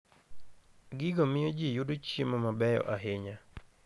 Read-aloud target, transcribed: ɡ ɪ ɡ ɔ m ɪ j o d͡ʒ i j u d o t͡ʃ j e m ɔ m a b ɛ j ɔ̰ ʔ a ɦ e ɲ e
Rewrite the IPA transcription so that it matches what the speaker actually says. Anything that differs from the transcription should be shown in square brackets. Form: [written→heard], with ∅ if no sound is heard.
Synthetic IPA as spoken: ɡ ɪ ɡ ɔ m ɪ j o d͡ʒ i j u d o t͡ʃ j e m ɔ m a b ɛ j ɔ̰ ʔ a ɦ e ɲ [e→a]